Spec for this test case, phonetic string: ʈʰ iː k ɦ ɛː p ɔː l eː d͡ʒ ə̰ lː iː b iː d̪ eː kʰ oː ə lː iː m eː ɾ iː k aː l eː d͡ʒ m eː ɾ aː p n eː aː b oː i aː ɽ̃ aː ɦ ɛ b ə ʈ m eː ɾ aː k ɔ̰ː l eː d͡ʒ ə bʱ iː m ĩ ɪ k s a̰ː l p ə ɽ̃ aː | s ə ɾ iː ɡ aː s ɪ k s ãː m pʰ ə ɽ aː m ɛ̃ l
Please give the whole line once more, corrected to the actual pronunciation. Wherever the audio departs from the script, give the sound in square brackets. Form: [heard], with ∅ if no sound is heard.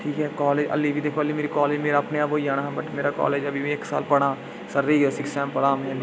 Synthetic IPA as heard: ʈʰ iː k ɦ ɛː [k] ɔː l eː d͡ʒ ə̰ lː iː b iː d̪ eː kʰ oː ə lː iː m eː ɾ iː k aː l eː d͡ʒ m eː ɾ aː p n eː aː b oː i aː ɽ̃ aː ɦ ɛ b ə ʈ m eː ɾ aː k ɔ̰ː l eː d͡ʒ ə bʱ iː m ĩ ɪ k s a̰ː l p ə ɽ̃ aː | s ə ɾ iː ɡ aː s ɪ k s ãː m [p] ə ɽ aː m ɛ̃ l

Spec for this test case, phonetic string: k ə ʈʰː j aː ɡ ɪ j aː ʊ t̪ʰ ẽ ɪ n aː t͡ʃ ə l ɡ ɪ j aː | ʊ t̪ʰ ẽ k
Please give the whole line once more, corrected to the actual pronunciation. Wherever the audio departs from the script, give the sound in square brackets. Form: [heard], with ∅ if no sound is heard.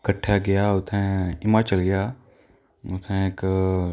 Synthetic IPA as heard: k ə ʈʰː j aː ɡ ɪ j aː ʊ t̪ʰ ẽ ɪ [m] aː t͡ʃ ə l ɡ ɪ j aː | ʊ t̪ʰ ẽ k

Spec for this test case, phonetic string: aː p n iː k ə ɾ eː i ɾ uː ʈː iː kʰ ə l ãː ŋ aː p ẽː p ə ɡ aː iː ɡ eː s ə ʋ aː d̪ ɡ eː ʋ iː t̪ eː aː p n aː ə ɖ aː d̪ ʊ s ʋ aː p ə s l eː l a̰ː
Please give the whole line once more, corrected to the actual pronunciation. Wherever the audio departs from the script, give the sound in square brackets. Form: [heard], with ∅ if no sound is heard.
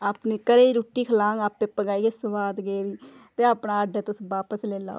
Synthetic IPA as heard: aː p n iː k ə ɾ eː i ɾ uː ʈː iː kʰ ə l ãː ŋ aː p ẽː p ə ɡ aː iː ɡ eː s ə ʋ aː d̪ ɡ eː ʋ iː t̪ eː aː p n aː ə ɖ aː [t̪] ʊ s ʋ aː p ə s l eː l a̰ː

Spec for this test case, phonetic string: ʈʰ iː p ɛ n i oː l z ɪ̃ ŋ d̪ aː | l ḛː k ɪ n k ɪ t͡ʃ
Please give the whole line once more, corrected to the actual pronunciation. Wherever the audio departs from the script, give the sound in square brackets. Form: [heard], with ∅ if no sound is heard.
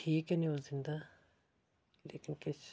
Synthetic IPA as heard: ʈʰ iː [k] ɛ n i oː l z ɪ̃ [n] d̪ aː | l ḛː k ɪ n k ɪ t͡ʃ

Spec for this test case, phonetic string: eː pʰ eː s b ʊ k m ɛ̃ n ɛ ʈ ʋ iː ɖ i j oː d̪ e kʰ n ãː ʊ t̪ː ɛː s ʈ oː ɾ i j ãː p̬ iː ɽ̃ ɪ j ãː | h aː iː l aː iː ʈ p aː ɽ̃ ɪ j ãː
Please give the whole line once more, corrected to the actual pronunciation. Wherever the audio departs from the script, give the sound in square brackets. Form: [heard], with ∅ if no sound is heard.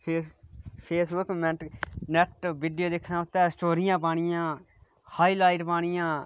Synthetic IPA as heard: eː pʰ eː s b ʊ k m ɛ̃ n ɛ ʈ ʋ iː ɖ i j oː d̪ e kʰ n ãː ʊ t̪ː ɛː s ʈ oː ɾ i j ãː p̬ [aː] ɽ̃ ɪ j ãː | h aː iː l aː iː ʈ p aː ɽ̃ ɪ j ãː

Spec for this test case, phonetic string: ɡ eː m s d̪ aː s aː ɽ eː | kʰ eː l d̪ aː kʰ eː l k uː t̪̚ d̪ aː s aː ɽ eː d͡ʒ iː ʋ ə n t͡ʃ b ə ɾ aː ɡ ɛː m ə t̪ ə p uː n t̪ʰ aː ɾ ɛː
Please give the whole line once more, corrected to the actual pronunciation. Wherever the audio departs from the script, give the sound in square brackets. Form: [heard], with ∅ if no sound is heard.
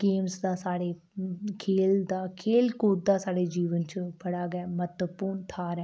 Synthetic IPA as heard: ɡ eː m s d̪ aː s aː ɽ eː | kʰ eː l d̪ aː kʰ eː l k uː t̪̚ d̪ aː s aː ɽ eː d͡ʒ iː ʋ ə n t͡ʃ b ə [ɽ] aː ɡ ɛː m ə t̪ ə p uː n t̪ʰ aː ɾ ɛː

